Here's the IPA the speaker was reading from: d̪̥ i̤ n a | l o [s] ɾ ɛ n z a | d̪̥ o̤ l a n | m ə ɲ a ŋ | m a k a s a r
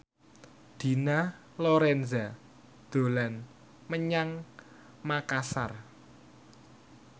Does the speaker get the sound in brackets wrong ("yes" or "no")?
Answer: yes